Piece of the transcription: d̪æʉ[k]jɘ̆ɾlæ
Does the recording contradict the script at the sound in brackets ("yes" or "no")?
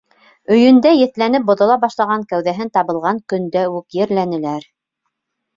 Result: no